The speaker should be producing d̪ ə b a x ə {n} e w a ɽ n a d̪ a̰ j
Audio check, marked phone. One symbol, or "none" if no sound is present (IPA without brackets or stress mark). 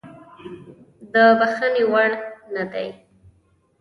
n